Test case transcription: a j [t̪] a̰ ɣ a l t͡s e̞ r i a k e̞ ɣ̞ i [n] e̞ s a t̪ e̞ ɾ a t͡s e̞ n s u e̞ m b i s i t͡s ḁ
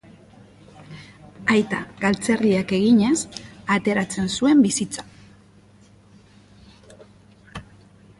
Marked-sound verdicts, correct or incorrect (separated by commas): correct, incorrect